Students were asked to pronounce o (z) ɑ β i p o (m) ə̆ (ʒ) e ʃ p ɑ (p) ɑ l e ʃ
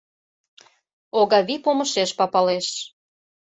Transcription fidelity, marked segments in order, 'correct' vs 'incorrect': incorrect: ɣ, correct, incorrect: ʃ, correct

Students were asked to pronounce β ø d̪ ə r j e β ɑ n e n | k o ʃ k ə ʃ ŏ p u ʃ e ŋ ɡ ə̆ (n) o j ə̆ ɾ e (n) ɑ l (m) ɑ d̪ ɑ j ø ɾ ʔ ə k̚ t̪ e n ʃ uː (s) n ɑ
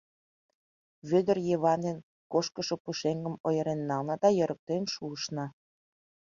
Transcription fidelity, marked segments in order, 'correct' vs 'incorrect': incorrect: m, incorrect: nː, incorrect: n, incorrect: ʃ

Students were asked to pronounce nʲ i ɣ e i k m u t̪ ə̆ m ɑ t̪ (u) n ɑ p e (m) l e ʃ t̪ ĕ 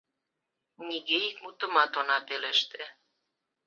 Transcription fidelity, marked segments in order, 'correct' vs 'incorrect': incorrect: o, incorrect: none

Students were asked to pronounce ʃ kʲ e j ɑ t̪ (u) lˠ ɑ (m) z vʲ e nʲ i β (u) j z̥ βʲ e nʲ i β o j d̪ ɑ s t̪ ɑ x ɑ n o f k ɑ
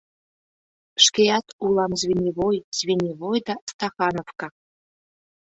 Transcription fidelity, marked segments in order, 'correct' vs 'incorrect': correct, correct, incorrect: o

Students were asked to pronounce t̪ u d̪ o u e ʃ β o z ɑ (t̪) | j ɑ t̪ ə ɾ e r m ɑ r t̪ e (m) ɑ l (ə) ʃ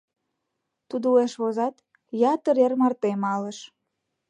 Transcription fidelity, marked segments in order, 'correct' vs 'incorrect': correct, correct, correct

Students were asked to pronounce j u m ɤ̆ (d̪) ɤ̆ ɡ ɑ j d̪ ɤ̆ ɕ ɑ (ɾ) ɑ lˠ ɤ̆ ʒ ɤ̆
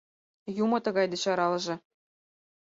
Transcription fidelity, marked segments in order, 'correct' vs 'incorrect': incorrect: t̪, correct

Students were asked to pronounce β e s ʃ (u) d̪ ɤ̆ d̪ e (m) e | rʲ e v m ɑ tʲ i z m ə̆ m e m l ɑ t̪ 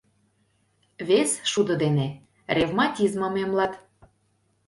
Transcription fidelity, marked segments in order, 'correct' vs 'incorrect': correct, incorrect: n

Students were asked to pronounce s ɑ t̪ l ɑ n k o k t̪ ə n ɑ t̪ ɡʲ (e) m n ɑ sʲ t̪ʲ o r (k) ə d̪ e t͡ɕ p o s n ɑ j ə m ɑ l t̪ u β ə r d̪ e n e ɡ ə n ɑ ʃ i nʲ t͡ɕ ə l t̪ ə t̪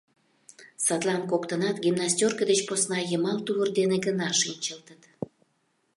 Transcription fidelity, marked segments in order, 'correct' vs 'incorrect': incorrect: i, correct

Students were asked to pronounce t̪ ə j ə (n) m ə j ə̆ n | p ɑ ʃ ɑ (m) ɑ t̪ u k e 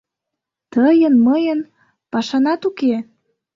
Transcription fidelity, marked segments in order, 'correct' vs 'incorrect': correct, incorrect: n

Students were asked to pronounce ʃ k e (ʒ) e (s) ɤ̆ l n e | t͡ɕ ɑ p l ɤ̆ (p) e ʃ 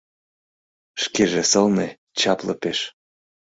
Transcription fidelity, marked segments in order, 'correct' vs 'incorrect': correct, correct, correct

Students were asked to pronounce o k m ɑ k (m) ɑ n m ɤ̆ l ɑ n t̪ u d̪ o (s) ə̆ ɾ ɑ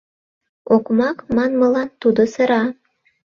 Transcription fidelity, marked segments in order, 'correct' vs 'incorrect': correct, correct

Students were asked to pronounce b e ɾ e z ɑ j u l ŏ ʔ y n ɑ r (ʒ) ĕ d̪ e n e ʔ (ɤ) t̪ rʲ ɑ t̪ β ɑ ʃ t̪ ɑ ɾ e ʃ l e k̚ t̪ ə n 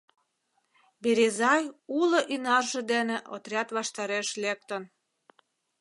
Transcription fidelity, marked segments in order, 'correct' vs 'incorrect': correct, incorrect: o

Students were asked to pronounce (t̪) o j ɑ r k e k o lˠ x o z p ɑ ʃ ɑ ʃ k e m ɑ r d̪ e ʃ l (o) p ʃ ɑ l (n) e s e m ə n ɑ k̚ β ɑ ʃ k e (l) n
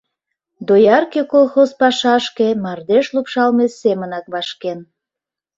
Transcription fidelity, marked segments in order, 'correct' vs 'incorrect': incorrect: d̪, incorrect: u, incorrect: m, incorrect: none

